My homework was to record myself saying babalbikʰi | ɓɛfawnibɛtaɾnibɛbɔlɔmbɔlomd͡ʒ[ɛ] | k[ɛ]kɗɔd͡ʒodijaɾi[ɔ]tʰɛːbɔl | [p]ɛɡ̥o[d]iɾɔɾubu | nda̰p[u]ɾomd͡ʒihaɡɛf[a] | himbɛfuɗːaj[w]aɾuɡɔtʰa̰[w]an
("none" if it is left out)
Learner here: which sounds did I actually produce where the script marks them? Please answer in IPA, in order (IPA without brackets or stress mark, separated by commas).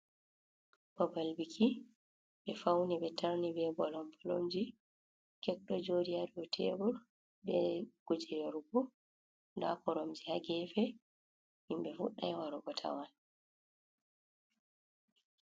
i, ɛ, ɔ, b, d͡ʒ, ɔ, ɛ, w, w